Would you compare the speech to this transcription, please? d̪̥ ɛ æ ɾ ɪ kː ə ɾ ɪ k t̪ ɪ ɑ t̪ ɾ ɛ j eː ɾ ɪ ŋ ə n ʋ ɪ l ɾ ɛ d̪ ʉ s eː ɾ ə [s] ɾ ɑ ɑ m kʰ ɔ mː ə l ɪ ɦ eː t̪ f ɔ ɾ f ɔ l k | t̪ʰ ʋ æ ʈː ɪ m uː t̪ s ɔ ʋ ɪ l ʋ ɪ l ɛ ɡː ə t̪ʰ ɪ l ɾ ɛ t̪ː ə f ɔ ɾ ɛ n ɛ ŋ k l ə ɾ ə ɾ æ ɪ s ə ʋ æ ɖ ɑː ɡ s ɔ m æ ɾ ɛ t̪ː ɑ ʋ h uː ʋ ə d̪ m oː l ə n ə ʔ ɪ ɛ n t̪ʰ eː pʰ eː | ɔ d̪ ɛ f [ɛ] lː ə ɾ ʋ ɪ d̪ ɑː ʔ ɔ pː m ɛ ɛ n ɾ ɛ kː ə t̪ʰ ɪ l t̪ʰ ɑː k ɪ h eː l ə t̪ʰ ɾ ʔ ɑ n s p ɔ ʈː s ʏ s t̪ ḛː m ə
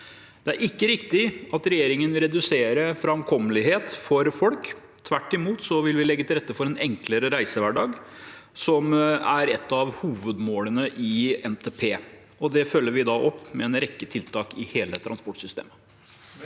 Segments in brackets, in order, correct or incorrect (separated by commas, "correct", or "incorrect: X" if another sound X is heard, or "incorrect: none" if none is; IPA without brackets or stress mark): incorrect: f, incorrect: œ